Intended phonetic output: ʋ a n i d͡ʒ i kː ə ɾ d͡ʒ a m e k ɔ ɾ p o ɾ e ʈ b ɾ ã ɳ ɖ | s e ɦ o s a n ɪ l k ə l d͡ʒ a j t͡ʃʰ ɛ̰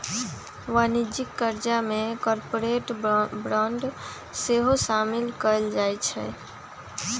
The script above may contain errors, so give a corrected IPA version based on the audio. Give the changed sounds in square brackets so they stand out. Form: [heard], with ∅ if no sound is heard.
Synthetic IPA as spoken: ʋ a n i d͡ʒ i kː ə ɾ d͡ʒ a m e k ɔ ɾ p o ɾ e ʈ b ɾ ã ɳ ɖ | s e ɦ o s a [m] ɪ l k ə l d͡ʒ a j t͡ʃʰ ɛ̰